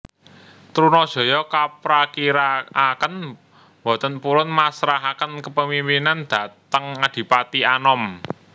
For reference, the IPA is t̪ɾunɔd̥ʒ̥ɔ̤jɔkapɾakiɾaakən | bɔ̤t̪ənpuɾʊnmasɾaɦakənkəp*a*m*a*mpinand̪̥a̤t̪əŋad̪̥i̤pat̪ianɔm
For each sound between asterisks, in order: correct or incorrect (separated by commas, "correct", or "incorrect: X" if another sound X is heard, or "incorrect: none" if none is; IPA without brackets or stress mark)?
incorrect: ə, incorrect: i